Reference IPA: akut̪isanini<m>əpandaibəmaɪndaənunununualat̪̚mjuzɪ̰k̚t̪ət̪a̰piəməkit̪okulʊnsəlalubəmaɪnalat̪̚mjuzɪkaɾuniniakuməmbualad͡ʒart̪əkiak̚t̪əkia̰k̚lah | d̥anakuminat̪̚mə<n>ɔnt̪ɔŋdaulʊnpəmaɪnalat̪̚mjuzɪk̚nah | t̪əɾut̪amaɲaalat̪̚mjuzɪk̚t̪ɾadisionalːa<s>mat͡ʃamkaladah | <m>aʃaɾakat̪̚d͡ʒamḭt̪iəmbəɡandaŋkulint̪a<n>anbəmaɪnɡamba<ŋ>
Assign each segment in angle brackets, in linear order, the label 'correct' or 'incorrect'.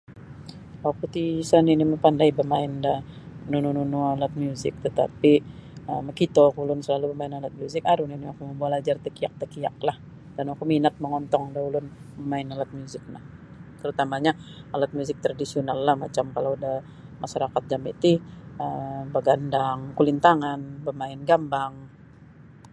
correct, incorrect, incorrect, correct, incorrect, correct

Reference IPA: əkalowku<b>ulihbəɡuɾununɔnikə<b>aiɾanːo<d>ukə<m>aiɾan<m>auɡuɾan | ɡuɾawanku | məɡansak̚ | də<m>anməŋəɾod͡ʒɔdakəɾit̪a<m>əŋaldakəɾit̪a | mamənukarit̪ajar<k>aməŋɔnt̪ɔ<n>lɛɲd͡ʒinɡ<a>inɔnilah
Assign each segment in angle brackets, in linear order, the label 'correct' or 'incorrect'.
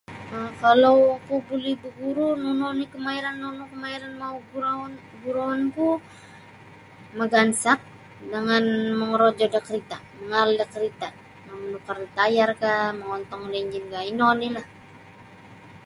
correct, incorrect, incorrect, correct, correct, incorrect, correct, correct, incorrect, correct

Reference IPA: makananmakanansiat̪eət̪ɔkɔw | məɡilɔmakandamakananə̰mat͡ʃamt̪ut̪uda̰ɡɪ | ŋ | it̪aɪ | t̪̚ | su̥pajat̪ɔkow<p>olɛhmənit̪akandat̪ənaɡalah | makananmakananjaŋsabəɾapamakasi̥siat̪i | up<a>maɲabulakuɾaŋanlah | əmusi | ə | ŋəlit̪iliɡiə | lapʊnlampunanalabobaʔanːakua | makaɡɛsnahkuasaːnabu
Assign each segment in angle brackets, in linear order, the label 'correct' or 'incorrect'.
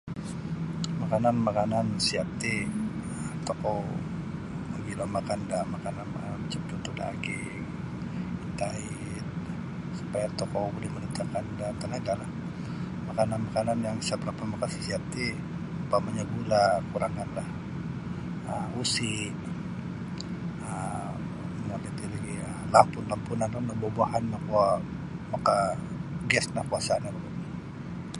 incorrect, correct

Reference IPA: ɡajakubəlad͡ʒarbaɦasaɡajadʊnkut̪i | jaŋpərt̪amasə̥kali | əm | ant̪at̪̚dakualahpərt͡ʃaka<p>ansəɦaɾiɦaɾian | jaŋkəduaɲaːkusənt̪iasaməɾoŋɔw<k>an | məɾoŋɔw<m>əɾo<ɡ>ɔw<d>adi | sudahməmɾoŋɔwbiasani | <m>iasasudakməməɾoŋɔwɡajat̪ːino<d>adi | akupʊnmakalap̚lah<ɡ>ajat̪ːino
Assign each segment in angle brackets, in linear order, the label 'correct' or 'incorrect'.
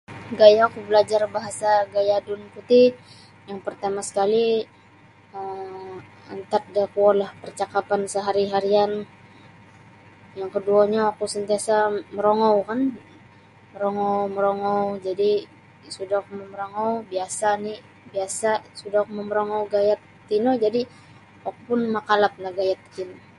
correct, correct, correct, incorrect, incorrect, incorrect, incorrect, correct

